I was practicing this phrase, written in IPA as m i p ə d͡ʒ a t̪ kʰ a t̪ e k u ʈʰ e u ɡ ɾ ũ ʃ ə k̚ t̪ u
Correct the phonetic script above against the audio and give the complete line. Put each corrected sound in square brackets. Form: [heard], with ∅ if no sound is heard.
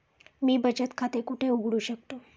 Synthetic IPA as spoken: m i [b] ə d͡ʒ [ə] t̪ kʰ a t̪ e k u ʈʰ e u ɡ [ɽ] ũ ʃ ə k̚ t̪ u

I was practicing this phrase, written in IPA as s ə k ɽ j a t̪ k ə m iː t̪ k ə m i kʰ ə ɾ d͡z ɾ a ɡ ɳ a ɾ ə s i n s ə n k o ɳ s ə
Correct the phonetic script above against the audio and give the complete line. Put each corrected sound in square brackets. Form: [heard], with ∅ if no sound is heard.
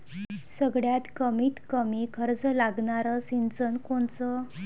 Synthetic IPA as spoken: s ə [ɡ] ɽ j a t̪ k ə m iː t̪ k ə m i kʰ ə ɾ d͡z [l] a ɡ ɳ a ɾ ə s i n [t͡s] ə n k o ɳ [t͡s] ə

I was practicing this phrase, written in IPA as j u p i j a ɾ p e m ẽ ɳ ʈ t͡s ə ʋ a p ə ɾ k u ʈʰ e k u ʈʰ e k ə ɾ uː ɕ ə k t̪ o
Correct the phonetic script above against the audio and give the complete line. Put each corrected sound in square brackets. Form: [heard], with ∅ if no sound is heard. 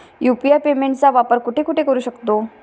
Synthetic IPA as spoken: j u p i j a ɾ p e m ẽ ɳ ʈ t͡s [a] ʋ a p ə ɾ k u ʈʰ e k u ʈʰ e k ə ɾ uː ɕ ə k t̪ o

